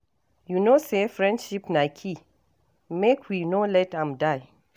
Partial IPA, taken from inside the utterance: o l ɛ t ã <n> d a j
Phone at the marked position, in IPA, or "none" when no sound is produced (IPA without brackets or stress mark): m